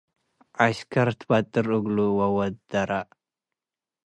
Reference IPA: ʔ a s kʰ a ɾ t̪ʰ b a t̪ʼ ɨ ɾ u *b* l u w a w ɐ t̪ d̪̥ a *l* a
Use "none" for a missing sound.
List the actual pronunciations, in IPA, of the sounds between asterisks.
ɡ, ɾ

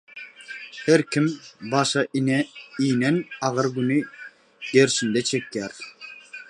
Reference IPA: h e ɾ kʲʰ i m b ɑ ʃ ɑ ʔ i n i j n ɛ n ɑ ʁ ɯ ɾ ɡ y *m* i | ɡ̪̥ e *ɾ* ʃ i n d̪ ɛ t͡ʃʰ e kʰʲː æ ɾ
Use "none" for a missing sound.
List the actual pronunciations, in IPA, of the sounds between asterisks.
n, ɾ

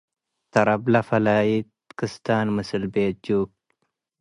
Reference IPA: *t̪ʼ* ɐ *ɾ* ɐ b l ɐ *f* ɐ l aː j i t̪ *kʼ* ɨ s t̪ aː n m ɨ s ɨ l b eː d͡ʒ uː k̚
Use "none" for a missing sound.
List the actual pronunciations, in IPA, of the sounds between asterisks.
t̪, ɾ, f, k

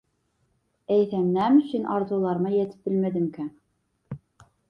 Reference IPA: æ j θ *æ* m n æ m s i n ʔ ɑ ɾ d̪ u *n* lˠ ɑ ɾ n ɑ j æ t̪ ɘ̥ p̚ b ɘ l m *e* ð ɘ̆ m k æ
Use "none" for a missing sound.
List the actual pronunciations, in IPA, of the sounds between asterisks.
æ, none, æ

